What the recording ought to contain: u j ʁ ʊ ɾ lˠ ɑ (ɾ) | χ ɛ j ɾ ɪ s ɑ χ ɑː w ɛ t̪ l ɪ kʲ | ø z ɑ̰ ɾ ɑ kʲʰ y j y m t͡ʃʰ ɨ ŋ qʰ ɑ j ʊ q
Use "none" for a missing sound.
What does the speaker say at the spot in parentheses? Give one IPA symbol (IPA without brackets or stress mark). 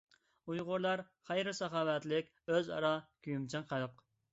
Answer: ɾ